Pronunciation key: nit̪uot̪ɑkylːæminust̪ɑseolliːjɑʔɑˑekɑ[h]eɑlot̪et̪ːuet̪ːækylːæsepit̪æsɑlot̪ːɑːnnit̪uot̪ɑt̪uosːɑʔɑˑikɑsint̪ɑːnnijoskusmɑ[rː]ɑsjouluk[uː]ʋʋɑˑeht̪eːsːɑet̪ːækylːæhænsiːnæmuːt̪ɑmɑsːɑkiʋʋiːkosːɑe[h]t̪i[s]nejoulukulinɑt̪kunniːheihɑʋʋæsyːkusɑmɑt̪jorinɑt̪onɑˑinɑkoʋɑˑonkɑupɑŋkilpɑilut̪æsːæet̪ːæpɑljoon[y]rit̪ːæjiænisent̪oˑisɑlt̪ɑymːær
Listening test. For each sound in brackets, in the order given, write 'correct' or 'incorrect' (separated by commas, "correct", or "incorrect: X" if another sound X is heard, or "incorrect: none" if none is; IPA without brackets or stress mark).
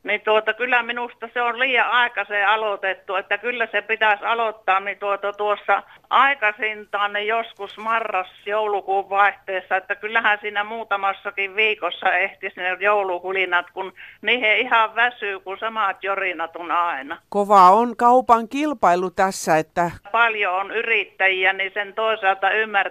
incorrect: s, correct, correct, correct, correct, correct